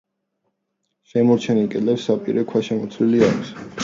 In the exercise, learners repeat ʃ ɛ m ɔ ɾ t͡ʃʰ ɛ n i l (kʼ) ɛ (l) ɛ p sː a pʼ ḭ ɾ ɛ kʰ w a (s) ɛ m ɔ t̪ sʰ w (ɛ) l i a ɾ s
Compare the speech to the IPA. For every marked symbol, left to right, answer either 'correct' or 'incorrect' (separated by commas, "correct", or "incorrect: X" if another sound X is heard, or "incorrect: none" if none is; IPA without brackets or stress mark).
correct, correct, incorrect: ʃ, incorrect: i